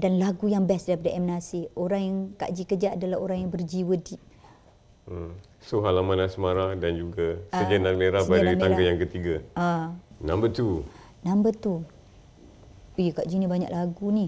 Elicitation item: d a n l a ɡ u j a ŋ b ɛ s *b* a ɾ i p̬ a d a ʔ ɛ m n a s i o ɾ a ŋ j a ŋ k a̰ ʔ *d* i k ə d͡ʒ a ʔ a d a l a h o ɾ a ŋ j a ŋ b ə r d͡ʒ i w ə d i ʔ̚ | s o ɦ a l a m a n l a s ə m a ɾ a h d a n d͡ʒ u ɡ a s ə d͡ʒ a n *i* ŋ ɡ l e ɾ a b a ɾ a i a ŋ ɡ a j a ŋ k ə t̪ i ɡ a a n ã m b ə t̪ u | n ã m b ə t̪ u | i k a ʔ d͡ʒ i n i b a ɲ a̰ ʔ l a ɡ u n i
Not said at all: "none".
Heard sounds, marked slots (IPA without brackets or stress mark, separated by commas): d, d͡ʒ, a